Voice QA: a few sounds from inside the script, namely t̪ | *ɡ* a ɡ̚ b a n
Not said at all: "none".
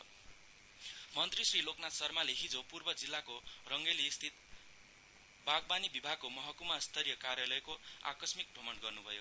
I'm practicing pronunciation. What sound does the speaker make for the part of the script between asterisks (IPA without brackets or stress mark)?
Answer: b